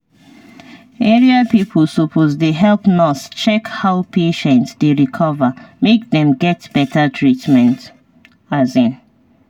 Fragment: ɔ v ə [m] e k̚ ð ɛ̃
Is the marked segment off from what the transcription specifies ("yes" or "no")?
no